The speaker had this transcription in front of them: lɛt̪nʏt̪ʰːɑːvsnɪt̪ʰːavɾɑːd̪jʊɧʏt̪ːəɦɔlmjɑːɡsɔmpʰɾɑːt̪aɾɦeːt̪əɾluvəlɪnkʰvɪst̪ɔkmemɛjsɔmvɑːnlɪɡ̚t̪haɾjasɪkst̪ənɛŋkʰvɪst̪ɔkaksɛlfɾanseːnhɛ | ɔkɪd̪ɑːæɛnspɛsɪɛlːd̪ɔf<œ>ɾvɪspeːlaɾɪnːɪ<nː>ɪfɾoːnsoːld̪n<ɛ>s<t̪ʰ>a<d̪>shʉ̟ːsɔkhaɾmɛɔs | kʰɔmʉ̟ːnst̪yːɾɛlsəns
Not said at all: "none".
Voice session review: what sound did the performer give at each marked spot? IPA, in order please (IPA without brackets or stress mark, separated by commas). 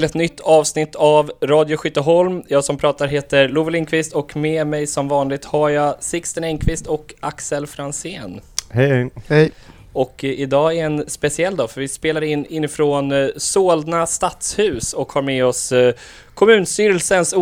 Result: œ, nː, a, t̪, t̪